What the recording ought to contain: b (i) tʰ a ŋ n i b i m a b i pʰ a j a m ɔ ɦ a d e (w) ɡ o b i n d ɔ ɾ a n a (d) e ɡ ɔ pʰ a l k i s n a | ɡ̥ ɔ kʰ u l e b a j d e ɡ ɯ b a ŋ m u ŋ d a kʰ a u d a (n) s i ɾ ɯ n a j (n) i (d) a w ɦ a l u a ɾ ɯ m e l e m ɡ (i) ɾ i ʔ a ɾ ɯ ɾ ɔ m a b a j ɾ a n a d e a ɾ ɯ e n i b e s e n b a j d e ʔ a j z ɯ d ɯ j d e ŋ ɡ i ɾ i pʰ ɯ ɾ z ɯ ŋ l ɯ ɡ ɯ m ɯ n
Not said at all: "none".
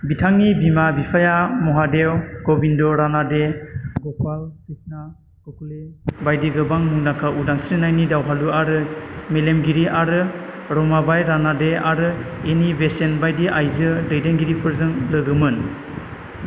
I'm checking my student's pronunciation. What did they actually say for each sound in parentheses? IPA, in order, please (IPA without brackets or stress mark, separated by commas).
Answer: i, w, d, ŋ, n, d, i